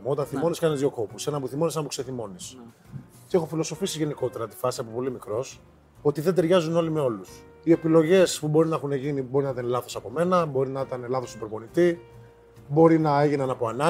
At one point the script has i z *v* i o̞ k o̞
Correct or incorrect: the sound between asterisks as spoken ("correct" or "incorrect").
incorrect